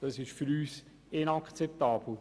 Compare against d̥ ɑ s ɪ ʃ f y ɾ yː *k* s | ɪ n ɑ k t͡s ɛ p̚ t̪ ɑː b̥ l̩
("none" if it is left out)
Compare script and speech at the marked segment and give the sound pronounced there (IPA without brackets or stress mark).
none